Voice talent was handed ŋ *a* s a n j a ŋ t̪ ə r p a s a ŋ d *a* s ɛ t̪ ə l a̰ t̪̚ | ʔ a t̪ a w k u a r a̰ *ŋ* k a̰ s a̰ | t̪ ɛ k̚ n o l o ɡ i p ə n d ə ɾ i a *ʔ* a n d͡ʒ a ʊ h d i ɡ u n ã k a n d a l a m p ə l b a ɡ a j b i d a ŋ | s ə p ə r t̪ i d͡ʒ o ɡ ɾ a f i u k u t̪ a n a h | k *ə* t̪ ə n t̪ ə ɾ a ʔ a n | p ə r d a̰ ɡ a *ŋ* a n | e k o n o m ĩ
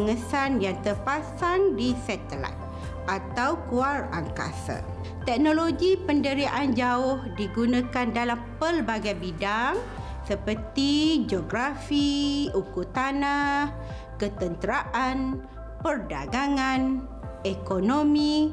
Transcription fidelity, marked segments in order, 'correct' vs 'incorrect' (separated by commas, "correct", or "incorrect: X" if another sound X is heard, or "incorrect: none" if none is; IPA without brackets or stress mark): incorrect: ə, incorrect: i, correct, correct, correct, correct